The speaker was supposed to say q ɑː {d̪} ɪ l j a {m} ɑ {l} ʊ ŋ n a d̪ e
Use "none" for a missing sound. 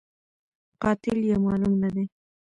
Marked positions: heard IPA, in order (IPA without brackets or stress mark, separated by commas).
t̪, m, l